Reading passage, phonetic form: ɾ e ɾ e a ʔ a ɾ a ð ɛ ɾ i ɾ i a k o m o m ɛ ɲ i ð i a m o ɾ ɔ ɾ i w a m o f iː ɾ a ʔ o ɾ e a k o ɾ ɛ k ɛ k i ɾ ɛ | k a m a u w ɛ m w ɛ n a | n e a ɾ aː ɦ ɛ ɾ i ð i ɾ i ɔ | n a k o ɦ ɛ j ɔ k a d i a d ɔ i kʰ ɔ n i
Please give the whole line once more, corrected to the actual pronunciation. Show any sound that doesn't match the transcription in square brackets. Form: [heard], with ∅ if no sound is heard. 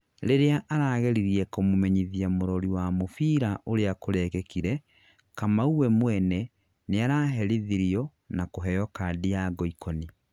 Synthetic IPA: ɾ e ɾ e a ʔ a ɾ a [ɣ] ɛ ɾ i ɾ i [ɛ] k o m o m ɛ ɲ i ð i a m o ɾ ɔ ɾ i w a m o f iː ɾ a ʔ o ɾ e a k o ɾ ɛ k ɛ k i ɾ ɛ | k a m a u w ɛ m w ɛ n [ɛ] | n e a ɾ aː ɦ ɛ ɾ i ð i ɾ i ɔ | n a k o ɦ ɛ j ɔ k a d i a [ɡ] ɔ i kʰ ɔ n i